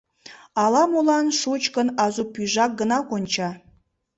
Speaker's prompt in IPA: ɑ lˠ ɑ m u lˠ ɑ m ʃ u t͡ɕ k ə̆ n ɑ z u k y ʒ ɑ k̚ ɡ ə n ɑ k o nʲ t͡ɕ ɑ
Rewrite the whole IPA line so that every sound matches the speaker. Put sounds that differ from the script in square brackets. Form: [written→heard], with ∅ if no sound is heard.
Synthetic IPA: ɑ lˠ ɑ m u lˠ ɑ [m→n] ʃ u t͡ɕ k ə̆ n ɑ z u [k→p] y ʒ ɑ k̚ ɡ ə n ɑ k o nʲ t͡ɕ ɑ